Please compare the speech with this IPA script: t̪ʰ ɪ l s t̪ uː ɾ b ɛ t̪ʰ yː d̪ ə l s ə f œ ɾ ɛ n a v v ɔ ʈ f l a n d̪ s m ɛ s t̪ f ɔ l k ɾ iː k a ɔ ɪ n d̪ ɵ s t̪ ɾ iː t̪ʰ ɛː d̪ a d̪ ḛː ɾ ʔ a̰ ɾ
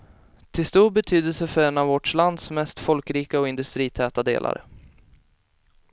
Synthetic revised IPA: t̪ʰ ɪ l s t̪ uː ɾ b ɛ t̪ʰ yː d̪ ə l s ə f œ ɾ ɛ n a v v ɔ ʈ ʂ l a n d̪ s m ɛ s t̪ f ɔ l k ɾ iː k a ɔ ɪ n d̪ ɵ s t̪ ɾ iː t̪ʰ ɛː t̪ a d̪ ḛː l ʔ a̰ ɾ